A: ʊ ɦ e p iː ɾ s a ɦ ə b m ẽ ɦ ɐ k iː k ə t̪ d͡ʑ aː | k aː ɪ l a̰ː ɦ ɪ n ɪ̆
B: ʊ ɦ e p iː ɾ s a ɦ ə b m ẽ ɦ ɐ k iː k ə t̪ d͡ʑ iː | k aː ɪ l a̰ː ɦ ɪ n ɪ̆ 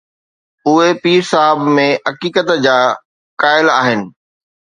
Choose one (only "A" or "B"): A